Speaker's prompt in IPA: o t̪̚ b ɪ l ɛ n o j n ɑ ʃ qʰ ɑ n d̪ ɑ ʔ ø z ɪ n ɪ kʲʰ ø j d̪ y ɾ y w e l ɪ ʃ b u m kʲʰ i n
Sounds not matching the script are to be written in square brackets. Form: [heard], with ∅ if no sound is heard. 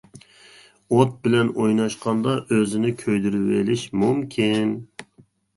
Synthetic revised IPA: o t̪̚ b ɪ l ɛ n o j n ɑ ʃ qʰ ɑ n d̪ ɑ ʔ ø z ɪ n ɪ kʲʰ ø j d̪ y ɾ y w e l ɪ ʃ [m] u m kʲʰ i n